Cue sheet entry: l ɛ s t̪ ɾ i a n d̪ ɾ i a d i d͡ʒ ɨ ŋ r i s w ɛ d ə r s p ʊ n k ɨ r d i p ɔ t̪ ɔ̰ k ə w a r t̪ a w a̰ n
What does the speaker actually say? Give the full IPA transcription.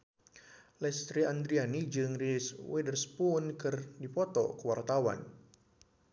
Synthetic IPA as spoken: l ɛ s t̪ ɾ i a n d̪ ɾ i a n i d͡ʒ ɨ ŋ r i s w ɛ d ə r s p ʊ n k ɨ r d i p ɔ t̪ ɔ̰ k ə w a r t̪ a w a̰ n